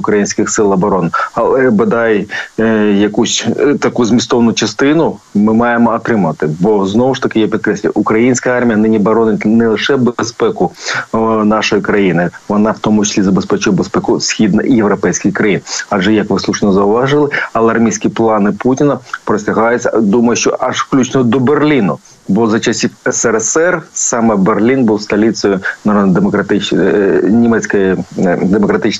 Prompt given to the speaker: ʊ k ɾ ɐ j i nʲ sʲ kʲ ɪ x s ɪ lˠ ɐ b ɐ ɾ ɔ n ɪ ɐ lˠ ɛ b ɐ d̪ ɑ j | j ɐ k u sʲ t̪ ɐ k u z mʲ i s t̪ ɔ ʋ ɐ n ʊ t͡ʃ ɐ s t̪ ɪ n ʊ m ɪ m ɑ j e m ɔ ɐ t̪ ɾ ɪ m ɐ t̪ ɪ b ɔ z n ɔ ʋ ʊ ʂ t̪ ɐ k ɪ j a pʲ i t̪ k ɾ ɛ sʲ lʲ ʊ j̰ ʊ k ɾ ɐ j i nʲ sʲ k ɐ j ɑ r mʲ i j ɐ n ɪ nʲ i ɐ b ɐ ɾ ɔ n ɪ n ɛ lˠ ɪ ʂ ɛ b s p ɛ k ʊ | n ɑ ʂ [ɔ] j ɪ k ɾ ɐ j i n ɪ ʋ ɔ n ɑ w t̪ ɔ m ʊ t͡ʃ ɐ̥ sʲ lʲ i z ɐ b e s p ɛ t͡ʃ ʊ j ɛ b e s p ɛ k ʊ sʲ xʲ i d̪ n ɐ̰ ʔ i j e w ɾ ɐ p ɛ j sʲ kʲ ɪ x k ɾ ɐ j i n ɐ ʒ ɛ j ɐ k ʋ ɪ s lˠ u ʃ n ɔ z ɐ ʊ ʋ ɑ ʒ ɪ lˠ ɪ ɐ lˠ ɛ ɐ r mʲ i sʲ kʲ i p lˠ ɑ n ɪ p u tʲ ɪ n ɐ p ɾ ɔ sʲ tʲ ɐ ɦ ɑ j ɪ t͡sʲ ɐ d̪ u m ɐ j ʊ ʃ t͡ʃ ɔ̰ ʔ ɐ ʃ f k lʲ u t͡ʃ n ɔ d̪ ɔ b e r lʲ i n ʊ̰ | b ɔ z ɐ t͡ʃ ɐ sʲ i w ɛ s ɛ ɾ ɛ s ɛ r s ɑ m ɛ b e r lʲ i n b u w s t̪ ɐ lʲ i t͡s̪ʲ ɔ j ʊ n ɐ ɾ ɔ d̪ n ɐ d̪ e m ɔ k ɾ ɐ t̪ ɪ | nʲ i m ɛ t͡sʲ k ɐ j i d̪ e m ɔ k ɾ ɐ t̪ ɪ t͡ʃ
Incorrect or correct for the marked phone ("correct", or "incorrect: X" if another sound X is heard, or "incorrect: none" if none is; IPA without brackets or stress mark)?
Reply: correct